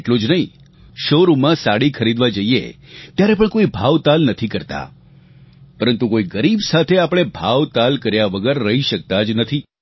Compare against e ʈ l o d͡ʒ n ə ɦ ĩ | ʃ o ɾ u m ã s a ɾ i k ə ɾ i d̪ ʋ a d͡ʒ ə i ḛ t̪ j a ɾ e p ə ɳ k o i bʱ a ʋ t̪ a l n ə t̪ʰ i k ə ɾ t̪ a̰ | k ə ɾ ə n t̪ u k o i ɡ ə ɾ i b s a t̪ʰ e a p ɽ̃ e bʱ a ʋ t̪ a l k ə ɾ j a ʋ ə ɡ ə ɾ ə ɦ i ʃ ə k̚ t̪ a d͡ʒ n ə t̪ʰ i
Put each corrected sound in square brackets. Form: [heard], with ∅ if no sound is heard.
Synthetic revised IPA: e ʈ l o d͡ʒ n ə ɦ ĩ | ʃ o ɾ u m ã s a [ɽ] i [kʰ] ə ɾ i d̪ ʋ a d͡ʒ ə i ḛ t̪ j a ɾ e p ə ɳ k o i bʱ a ʋ t̪ a l n ə t̪ʰ i k ə ɾ t̪ a̰ | [p] ə ɾ ə n t̪ u k o i ɡ ə ɾ i b s a t̪ʰ e a p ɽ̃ e bʱ a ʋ t̪ a l k ə ɾ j a ʋ ə ɡ ə [ɾː] ə ɦ i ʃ ə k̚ t̪ a d͡ʒ n ə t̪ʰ i